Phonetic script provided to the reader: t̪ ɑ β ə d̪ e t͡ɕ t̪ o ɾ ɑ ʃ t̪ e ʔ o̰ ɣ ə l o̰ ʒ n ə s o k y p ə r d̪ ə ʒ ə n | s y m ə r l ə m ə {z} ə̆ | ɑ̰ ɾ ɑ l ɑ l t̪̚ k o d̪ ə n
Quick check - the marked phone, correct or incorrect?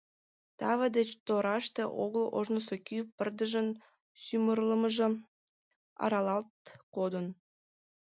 incorrect